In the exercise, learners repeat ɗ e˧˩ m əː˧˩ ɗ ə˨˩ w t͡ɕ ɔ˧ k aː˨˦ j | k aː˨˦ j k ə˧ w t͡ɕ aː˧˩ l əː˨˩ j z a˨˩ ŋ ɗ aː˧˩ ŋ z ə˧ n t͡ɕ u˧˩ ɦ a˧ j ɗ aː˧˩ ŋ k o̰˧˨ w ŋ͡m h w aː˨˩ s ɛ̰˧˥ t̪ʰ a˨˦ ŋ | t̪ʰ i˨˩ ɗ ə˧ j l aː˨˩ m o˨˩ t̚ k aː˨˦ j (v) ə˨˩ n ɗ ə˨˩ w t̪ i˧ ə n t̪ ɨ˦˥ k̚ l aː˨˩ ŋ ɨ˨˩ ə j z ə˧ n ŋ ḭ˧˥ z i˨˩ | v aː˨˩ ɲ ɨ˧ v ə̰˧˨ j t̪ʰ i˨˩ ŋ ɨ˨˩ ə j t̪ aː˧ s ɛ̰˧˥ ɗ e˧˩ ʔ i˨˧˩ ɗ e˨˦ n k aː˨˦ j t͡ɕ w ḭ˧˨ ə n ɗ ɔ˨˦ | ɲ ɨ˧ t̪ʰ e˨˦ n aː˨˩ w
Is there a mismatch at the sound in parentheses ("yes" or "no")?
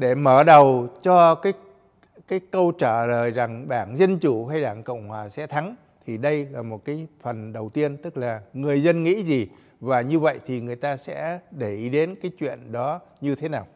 yes